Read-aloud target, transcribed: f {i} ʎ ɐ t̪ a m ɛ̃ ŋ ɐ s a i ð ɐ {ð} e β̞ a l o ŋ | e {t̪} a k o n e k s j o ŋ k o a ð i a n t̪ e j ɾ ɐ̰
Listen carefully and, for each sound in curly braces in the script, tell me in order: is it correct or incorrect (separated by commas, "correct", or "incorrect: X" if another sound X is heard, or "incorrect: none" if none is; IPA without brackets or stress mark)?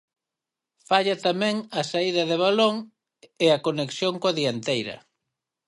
incorrect: a, correct, incorrect: none